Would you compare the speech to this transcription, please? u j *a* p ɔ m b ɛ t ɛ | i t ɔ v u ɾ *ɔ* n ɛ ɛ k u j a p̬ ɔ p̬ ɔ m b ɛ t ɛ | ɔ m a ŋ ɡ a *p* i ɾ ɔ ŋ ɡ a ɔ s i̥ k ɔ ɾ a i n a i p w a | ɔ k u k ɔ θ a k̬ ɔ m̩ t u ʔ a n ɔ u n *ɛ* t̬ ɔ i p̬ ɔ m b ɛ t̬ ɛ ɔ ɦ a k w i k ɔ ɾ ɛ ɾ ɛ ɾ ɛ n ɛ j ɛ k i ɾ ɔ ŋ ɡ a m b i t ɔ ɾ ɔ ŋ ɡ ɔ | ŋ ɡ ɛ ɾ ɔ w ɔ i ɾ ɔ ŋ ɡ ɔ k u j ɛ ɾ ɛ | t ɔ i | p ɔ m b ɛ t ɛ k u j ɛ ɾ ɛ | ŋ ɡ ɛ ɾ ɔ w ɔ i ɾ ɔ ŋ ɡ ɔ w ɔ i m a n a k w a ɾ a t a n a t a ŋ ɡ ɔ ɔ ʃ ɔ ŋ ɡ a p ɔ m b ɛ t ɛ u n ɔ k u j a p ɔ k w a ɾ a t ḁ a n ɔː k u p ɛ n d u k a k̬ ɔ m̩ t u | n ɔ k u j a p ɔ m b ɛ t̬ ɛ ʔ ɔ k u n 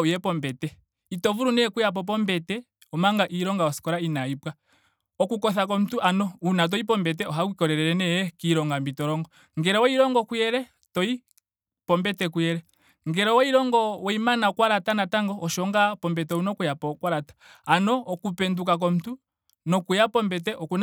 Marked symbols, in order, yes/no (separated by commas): no, no, no, no